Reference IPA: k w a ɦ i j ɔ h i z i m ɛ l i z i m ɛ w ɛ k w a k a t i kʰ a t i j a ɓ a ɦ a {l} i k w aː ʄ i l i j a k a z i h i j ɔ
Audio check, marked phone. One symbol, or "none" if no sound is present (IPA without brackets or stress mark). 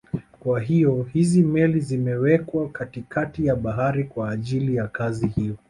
ɾ